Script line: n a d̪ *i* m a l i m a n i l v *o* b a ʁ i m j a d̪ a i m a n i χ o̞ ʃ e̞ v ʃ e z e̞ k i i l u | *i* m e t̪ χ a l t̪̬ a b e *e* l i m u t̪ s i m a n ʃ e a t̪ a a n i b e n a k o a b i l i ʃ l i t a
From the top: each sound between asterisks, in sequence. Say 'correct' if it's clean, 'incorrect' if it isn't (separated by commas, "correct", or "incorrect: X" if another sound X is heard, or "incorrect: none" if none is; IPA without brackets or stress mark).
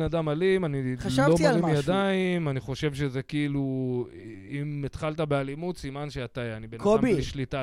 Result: incorrect: a, correct, correct, incorrect: a